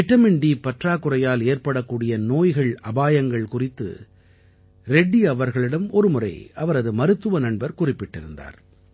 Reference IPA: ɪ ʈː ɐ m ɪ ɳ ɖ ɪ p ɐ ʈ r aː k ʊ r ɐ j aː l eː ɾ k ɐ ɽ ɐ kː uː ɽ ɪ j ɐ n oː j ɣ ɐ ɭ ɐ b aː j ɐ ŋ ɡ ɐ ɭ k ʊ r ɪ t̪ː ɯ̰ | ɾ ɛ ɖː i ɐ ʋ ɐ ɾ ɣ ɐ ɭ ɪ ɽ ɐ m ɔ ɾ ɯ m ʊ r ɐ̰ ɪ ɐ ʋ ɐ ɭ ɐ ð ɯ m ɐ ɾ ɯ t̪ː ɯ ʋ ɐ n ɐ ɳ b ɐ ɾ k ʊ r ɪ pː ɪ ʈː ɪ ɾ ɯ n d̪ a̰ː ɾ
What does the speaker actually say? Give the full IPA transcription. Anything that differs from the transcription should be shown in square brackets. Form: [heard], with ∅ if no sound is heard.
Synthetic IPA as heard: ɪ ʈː ɐ m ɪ ɳ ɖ [i] p ɐ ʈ r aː k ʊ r ɐ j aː l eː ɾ [p] ɐ ɽ ɐ kː uː ɽ ɪ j ɐ n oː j ɣ ɐ ɭ ɐ b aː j ɐ ŋ ɡ ɐ ɭ k ʊ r ɪ t̪ː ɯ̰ | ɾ ɛ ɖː i ɐ ʋ ɐ ɾ ɣ ɐ ɭ ɪ ɽ ɐ m ɔ ɾ ɯ m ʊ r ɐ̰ ɪ ɐ ʋ ɐ [ɾ] ɐ ð ɯ m ɐ ɾ ɯ t̪ː ɯ ʋ ɐ n ɐ ɳ b ɐ ɾ k ʊ r ɪ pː ɪ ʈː ɪ ɾ ɯ n d̪ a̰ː ɾ